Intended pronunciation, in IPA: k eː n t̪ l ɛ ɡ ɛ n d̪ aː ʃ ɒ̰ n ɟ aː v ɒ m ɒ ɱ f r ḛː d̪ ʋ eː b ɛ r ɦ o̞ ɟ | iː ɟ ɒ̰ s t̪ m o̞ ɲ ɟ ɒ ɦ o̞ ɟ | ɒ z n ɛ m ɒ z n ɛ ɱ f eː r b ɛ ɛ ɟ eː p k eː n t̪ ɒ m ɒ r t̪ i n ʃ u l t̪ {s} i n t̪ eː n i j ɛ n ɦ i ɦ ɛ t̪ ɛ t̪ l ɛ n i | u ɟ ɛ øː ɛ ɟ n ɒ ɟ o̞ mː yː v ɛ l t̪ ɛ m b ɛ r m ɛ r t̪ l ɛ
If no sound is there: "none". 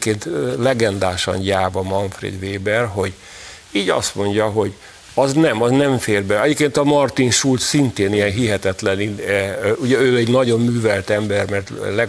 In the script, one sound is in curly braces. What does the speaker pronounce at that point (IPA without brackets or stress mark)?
s